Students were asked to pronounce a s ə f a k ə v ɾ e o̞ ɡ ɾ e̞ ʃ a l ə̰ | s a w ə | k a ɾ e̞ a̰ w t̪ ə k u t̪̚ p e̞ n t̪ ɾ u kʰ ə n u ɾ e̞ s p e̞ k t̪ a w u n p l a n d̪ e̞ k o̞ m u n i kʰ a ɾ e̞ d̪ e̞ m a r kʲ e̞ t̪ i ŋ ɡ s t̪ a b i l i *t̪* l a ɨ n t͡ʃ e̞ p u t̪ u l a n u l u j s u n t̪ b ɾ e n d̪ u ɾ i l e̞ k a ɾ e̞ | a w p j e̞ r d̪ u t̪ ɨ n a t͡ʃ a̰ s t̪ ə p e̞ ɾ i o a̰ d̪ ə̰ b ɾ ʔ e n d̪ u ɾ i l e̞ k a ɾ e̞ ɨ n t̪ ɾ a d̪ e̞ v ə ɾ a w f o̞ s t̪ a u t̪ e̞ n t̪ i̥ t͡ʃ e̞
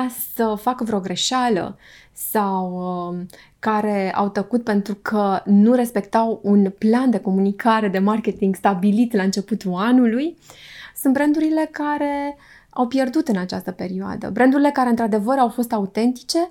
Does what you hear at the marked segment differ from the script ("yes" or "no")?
no